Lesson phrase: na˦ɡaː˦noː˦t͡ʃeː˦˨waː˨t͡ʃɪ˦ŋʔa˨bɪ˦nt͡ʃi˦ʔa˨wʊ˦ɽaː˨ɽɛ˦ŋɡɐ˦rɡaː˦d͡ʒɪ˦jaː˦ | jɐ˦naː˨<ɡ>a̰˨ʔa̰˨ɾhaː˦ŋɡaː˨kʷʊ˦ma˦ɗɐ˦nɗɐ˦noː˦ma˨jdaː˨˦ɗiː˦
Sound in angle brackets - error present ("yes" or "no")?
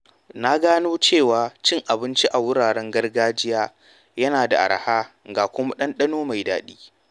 yes